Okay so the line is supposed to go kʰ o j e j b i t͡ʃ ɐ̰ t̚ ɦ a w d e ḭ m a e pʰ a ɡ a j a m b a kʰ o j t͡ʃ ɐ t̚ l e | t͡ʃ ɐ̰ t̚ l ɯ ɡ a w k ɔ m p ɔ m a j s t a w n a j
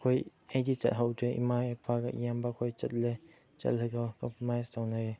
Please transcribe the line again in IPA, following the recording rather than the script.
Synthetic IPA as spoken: kʰ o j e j d i t͡ʃ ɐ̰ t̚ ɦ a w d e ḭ m a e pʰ a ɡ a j a m b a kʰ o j t͡ʃ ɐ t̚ l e | t͡ʃ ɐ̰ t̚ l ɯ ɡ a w k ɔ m p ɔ m a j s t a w n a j